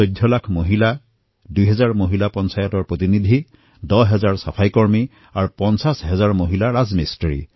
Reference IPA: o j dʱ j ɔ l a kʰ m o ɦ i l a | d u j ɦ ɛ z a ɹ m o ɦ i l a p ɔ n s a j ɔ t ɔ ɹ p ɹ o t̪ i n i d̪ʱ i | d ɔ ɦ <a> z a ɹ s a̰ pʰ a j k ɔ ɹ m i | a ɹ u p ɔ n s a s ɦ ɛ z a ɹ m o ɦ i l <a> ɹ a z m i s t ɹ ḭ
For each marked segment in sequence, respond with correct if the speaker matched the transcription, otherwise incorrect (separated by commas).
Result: incorrect, correct